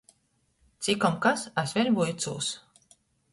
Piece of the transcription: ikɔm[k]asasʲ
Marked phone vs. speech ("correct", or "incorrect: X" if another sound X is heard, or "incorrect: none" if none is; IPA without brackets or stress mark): correct